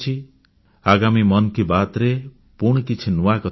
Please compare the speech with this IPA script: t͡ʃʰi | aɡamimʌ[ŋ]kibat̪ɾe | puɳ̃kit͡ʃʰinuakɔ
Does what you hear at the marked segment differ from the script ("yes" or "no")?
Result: yes